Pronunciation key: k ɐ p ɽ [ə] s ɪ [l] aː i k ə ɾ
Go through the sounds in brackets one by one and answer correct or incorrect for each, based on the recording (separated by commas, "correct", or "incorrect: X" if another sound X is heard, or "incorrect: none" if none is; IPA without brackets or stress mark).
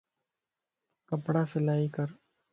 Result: incorrect: a, correct